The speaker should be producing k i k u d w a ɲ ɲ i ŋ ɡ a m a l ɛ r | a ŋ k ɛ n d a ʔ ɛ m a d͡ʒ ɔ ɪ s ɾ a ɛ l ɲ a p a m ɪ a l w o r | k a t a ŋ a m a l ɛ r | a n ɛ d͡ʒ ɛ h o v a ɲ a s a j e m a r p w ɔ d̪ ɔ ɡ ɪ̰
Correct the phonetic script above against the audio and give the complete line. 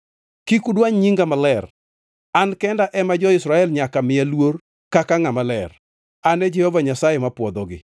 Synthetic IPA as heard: k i k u d w a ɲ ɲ i ŋ ɡ a m a l ɛ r | a n k ɛ n d a ʔ ɛ m a d͡ʒ ɔ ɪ s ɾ a ɛ l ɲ a k a m ɪ a l w o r | k a k a ŋ a m a l ɛ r | a n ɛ d͡ʒ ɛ h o v a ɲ a s a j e m a p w ɔ d̪ ɔ ɡ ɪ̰